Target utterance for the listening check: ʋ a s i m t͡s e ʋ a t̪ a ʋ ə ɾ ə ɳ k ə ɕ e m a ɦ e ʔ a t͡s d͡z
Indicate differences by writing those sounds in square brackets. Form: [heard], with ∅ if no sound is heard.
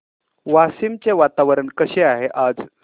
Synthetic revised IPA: ʋ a s i m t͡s e ʋ a t̪ a ʋ ə ɾ ə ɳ k ə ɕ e [∅] a ɦ e ʔ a [∅] d͡z

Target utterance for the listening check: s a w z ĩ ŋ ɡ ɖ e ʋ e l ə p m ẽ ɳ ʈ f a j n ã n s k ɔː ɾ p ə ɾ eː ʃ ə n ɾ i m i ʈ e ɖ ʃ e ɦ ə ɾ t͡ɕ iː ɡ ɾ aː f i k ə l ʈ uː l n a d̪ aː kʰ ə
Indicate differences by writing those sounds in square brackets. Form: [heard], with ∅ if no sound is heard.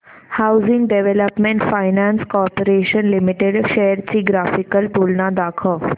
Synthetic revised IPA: [h] a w z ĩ ŋ ɡ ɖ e ʋ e l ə p m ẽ ɳ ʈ f a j n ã n s k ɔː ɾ p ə ɾ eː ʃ ə n [l] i m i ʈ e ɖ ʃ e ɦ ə ɾ t͡ɕ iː ɡ ɾ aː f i k ə l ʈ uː l n a d̪ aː kʰ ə

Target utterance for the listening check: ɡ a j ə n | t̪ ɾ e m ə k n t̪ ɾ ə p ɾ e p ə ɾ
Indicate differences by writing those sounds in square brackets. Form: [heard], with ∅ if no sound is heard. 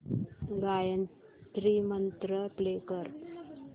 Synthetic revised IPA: ɡ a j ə n | t̪ ɾ [i] m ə [∅] n t̪ ɾ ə p [l] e [k] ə ɾ

